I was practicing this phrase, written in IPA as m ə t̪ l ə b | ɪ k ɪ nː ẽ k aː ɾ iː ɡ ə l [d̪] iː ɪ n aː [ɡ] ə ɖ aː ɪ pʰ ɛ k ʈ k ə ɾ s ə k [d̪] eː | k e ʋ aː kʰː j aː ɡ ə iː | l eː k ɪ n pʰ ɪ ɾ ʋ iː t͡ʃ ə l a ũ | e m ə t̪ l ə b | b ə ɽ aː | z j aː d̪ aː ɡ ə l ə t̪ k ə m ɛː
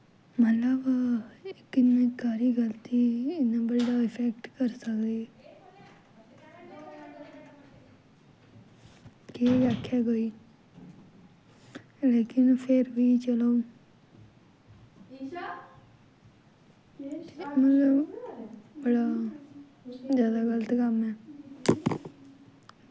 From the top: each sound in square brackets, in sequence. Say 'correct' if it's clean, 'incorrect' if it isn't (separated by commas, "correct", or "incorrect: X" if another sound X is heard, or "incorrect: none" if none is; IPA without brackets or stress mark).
incorrect: t̪, incorrect: b, correct